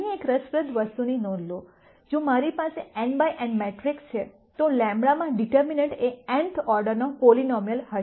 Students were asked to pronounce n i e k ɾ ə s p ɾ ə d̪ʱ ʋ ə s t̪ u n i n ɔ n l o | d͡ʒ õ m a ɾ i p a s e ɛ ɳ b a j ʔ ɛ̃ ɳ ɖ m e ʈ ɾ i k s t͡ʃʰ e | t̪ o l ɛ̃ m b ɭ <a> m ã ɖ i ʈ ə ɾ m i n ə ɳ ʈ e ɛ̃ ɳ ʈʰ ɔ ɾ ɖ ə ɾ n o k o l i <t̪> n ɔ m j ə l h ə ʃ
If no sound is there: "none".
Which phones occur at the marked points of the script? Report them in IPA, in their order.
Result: a, none

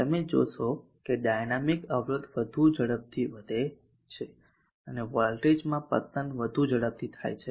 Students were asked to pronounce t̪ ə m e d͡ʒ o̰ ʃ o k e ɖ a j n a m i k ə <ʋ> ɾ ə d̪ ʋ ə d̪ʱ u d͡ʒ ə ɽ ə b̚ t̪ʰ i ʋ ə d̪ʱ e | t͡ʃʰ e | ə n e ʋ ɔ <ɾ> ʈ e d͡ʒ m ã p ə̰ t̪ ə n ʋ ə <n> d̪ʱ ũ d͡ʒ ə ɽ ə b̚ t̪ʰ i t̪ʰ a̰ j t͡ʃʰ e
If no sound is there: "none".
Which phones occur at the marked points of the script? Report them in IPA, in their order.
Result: ʋ, l, none

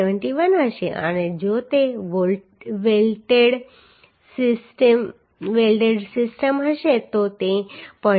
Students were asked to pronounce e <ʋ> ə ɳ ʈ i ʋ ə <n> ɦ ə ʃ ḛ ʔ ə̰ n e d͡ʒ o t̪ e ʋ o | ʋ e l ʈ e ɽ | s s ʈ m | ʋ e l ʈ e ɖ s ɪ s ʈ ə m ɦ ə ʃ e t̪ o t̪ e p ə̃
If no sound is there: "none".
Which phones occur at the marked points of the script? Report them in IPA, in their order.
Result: ʋ, n

